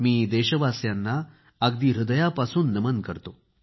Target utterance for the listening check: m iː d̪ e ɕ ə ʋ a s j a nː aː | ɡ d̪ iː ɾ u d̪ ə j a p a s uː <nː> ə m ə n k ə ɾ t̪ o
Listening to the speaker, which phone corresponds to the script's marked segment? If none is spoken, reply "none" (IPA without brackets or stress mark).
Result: nː